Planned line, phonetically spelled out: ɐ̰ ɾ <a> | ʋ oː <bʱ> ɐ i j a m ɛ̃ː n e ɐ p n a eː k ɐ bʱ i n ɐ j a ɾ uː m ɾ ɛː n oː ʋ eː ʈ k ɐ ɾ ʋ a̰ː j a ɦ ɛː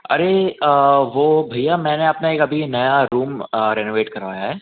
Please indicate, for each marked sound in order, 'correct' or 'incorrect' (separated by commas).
incorrect, correct